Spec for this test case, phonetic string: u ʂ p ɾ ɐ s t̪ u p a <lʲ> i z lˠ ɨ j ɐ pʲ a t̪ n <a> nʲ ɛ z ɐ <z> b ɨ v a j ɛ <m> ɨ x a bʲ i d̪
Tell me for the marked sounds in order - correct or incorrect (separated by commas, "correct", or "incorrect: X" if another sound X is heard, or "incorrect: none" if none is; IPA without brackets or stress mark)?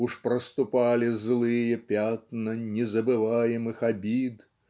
correct, incorrect: ɐ, incorrect: none, correct